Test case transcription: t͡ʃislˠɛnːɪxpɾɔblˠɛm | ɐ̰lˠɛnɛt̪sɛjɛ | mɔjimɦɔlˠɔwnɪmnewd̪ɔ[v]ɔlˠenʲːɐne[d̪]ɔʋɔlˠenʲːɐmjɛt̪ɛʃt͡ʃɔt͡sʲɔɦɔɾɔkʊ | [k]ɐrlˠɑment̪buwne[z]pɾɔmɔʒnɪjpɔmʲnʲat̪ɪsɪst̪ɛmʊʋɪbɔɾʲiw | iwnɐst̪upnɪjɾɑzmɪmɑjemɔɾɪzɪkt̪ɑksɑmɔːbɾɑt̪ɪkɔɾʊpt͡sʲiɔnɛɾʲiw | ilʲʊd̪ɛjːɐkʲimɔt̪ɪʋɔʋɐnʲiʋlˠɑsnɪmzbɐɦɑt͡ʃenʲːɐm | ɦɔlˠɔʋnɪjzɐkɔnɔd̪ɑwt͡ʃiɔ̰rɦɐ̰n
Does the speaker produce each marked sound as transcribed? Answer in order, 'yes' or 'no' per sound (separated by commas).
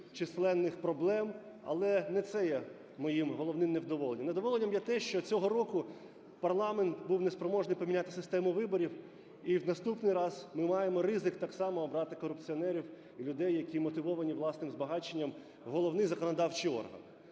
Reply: no, yes, no, no